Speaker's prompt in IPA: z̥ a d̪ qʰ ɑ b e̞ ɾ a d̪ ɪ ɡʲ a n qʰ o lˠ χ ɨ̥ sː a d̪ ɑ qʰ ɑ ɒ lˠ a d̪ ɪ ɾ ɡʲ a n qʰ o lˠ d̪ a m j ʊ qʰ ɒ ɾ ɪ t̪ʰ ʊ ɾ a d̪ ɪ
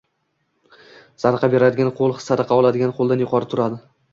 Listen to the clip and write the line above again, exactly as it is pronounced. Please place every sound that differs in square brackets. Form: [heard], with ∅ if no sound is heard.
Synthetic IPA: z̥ a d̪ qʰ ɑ b e̞ ɾ a d̪ ɪ ɡʲ a n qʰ o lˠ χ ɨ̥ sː a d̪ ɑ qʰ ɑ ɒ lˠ a d̪ ɪ [∅] ɡʲ a n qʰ o lˠ d̪ a [n] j ʊ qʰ ɒ ɾ ɪ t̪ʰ ʊ ɾ a d̪ ɪ